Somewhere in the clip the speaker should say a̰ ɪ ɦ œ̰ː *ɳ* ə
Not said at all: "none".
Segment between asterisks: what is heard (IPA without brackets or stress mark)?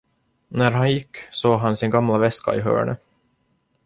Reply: ɳ